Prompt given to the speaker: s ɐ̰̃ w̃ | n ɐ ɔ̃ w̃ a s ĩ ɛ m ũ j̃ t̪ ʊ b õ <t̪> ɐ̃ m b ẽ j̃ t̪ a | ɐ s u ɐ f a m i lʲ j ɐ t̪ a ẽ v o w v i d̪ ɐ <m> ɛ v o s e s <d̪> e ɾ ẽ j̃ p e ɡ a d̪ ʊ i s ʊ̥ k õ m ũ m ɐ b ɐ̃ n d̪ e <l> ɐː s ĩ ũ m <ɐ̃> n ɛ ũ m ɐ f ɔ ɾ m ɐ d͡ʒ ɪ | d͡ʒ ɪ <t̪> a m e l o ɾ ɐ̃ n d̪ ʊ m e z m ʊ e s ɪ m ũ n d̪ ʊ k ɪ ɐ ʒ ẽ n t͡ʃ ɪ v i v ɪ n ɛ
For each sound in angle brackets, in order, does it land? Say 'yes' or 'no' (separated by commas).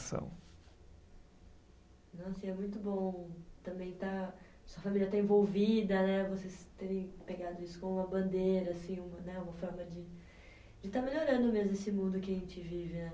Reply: yes, no, no, no, no, yes